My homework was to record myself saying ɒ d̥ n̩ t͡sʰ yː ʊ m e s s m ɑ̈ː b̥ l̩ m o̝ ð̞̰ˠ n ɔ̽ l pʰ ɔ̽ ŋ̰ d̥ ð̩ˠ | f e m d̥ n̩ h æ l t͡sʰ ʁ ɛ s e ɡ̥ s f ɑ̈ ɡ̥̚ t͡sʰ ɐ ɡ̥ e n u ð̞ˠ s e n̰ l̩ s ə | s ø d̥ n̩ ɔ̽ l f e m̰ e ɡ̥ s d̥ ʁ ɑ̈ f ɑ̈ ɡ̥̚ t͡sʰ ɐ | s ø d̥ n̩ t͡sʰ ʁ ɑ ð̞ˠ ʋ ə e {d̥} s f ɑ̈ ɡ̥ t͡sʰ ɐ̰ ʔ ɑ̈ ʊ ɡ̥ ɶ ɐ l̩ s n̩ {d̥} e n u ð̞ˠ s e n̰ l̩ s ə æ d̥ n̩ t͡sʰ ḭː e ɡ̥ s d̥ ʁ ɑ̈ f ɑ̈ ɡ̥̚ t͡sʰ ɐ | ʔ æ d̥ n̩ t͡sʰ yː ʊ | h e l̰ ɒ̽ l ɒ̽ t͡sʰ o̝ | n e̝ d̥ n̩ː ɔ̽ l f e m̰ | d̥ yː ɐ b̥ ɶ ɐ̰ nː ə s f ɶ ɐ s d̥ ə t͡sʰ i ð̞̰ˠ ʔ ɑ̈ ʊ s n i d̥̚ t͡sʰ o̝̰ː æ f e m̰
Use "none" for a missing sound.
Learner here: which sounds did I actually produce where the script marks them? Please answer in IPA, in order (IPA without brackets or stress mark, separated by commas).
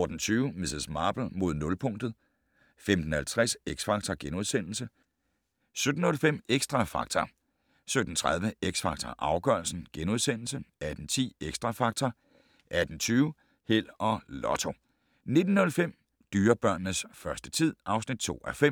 ɡ̥, ɡ̥